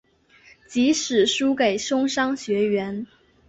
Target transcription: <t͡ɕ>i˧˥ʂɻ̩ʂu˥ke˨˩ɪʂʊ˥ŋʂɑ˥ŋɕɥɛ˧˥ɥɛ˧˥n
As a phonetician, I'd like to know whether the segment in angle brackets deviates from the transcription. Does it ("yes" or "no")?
no